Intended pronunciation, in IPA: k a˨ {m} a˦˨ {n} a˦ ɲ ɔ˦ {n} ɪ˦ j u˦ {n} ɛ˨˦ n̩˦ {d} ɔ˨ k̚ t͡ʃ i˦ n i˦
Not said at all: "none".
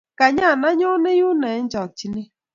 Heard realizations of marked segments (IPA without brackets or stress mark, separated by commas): ɲ, n, n, n, d͡ʒ